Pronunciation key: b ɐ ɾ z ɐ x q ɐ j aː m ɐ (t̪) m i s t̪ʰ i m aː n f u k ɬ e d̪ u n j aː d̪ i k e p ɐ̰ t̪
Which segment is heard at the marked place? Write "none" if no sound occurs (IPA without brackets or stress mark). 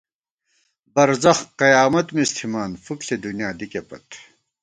t̪